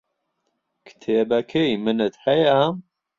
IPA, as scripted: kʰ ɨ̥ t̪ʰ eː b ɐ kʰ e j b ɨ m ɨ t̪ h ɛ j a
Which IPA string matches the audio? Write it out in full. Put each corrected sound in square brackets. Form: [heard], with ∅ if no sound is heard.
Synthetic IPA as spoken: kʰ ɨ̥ t̪ʰ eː b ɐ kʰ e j [m] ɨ [n] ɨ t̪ h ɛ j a